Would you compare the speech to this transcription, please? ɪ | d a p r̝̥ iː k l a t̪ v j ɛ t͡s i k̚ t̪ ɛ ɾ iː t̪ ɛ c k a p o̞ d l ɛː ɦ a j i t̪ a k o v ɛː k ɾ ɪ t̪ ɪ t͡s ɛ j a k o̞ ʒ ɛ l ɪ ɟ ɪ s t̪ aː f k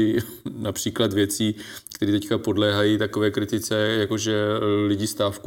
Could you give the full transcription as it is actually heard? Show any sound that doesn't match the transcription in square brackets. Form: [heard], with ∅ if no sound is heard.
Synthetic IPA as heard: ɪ | [n] a p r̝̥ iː k l a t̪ v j ɛ t͡s [iː] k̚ t̪ ɛ ɾ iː t̪ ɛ c k a p o̞ d l ɛː ɦ a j i t̪ a k o v ɛː k ɾ ɪ t̪ ɪ t͡s ɛ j a k o̞ ʒ ɛ l ɪ ɟ ɪ s t̪ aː f k